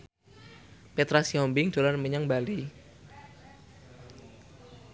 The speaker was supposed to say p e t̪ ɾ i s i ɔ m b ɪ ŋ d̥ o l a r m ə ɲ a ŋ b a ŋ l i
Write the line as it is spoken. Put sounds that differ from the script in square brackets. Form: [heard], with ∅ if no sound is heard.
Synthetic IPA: p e t̪ ɾ [a] s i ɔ m b ɪ ŋ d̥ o l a r m ə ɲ a ŋ b a [∅] l i